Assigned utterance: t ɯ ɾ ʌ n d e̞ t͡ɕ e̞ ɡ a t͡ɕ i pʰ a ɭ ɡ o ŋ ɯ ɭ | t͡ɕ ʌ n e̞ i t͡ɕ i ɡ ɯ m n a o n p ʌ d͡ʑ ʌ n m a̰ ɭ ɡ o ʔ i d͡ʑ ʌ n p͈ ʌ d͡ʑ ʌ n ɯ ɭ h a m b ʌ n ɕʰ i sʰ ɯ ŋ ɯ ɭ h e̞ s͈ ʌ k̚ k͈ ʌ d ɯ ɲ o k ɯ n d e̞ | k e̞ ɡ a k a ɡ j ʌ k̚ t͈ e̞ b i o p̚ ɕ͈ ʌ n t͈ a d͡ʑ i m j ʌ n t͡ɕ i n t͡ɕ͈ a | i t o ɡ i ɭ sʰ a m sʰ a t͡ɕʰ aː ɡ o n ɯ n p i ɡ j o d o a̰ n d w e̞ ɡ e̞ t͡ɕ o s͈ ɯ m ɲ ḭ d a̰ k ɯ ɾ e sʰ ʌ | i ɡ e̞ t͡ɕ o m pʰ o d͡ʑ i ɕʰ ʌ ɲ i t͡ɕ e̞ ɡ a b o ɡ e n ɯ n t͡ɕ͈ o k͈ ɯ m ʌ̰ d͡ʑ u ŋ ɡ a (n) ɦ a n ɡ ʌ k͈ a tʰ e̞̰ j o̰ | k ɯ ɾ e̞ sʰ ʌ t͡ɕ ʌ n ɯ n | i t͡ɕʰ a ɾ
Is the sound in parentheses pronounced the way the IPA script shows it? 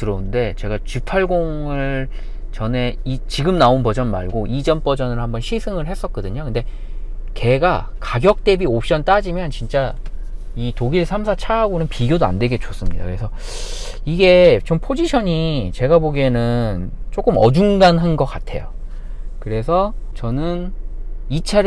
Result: yes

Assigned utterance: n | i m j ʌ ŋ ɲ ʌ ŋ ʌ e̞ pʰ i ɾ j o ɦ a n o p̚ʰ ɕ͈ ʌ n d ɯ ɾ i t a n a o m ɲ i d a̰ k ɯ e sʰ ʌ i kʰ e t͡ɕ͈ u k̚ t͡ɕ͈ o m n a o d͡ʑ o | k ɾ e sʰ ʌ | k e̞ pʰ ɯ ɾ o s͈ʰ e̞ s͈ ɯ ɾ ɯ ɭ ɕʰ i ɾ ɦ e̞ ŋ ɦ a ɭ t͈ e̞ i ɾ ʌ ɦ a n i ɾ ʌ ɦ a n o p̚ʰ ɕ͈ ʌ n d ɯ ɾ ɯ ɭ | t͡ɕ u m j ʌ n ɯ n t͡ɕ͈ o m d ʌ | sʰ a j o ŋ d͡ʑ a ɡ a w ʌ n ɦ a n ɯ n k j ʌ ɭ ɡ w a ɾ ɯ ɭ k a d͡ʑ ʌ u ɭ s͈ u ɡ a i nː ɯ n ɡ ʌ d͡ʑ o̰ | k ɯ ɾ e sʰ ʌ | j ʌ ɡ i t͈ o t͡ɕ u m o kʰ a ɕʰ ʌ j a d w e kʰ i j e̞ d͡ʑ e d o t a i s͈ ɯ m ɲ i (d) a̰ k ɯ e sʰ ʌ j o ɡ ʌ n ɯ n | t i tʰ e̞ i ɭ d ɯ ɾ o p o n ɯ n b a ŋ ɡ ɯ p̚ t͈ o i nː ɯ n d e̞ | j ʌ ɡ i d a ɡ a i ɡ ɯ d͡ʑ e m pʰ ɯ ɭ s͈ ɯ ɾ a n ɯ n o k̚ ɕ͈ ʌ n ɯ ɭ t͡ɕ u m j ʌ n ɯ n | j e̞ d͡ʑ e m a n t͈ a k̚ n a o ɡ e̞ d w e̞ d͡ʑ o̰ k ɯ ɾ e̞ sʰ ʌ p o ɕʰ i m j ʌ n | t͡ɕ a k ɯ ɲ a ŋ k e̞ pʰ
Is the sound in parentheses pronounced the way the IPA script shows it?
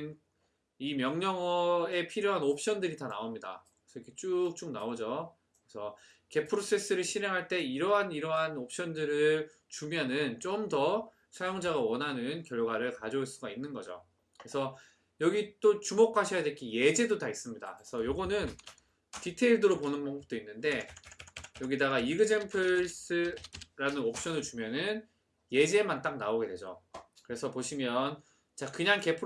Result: yes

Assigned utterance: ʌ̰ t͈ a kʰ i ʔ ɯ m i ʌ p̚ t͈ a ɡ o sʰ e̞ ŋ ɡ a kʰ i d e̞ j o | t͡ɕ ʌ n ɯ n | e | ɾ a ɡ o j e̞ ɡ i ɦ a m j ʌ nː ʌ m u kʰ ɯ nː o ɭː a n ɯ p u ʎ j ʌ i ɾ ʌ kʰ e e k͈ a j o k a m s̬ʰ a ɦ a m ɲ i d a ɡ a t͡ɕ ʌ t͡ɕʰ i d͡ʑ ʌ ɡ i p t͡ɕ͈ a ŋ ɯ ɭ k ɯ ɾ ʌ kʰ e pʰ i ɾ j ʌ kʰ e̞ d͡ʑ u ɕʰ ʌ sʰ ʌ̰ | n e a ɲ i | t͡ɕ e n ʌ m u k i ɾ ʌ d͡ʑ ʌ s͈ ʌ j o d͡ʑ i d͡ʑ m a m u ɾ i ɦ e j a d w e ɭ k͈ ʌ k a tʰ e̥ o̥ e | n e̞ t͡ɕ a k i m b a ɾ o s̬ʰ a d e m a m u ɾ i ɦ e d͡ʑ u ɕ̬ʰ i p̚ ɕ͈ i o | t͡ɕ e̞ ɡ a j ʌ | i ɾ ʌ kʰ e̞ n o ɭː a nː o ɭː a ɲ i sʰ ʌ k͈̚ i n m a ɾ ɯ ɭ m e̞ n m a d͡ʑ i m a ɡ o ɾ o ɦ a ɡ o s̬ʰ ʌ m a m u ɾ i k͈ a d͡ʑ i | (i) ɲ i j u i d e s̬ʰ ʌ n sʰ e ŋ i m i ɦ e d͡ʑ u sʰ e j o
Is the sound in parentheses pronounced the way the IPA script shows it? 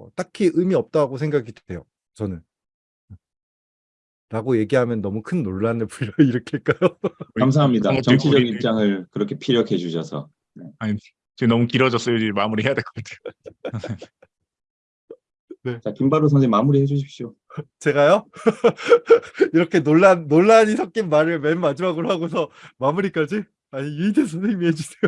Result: no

